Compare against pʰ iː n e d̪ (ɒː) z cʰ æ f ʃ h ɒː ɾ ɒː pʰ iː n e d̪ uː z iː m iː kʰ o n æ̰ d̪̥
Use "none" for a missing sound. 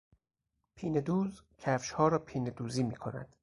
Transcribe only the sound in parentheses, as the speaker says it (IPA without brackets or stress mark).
uː